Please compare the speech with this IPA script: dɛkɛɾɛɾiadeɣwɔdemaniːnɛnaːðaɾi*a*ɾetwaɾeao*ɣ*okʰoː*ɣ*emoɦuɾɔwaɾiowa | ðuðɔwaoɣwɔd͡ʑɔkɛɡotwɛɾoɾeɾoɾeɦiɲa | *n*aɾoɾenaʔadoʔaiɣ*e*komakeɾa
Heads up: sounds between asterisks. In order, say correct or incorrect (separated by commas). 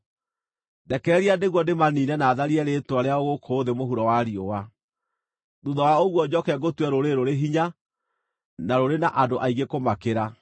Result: incorrect, correct, incorrect, correct, correct